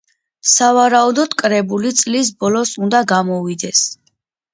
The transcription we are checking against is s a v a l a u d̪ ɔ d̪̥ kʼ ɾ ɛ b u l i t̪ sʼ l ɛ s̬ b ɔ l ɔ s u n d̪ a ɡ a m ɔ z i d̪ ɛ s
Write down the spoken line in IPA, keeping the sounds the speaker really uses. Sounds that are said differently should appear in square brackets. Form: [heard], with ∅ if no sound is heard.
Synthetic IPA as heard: s a v a [ɾ] a u d̪ ɔ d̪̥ kʼ ɾ ɛ b u l i t̪ sʼ l [i] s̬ b ɔ l ɔ s u n d̪ a ɡ a m ɔ [v] i d̪ ɛ s